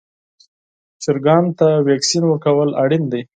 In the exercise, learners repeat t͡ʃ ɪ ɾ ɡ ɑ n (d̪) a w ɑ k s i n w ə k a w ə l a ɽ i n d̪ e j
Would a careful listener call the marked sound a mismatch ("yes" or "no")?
yes